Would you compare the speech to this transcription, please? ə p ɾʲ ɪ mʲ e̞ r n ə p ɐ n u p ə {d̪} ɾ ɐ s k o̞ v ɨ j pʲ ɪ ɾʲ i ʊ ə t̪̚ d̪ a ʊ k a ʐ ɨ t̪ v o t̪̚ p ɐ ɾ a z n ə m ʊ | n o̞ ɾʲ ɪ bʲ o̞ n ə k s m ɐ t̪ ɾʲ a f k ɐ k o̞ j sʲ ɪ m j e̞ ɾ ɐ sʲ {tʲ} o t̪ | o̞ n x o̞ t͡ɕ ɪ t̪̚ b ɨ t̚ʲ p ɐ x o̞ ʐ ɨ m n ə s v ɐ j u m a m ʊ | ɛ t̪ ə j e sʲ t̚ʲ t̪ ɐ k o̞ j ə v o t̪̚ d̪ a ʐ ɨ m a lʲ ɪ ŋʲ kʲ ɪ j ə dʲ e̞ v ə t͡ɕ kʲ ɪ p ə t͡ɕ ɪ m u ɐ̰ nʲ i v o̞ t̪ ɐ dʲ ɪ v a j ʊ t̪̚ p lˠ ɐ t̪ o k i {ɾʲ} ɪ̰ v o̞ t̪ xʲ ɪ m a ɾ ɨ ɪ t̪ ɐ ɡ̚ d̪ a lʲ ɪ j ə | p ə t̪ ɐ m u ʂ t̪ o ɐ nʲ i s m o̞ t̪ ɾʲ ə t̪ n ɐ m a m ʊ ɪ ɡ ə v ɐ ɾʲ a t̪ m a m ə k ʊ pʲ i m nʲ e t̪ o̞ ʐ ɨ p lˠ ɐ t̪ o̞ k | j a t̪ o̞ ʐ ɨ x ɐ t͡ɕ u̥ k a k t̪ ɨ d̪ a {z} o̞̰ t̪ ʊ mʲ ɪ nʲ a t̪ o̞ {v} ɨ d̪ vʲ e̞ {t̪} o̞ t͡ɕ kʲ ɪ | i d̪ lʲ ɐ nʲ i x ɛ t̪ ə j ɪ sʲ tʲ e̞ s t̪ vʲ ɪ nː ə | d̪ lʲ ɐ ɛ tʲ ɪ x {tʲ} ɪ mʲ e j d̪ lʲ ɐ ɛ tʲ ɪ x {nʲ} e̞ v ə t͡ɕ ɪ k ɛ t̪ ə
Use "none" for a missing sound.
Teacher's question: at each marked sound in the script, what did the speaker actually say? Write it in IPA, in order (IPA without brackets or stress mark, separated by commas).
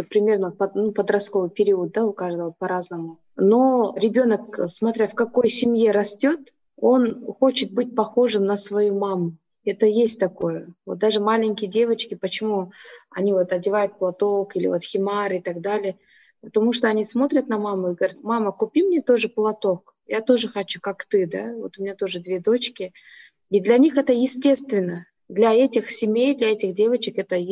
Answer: d̪, tʲ, lʲ, v, ʐ, d̪, sʲ, dʲ